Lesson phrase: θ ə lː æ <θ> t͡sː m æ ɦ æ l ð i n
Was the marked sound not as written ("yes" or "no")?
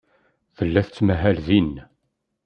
no